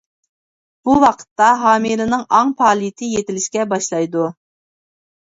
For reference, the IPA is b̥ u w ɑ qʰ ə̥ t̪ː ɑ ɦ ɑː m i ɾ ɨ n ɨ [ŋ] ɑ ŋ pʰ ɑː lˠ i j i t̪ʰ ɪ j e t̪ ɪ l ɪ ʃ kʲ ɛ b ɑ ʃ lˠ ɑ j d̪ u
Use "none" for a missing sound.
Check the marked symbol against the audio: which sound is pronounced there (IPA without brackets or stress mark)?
ŋ